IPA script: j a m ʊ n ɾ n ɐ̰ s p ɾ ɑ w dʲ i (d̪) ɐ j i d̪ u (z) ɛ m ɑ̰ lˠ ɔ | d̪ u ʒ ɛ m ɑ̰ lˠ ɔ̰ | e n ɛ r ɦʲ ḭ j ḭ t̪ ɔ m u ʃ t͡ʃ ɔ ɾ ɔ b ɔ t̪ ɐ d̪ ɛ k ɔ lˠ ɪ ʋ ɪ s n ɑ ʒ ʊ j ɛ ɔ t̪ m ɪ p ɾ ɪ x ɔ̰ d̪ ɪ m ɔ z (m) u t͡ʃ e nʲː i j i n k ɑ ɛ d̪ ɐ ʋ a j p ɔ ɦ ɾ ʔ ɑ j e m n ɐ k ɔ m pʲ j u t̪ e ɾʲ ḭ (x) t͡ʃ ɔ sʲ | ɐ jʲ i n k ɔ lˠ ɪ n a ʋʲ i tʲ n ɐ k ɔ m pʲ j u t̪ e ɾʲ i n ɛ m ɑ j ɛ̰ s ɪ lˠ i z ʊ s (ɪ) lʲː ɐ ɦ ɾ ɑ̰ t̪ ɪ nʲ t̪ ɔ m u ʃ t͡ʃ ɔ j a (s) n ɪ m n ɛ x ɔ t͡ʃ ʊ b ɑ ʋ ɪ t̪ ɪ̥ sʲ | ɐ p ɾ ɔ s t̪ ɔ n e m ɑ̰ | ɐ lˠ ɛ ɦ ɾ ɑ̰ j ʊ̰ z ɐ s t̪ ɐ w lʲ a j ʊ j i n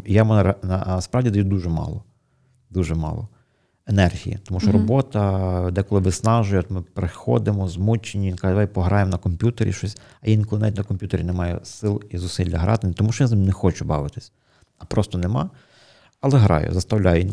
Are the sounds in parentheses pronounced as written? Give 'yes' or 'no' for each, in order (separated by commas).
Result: yes, no, yes, no, no, no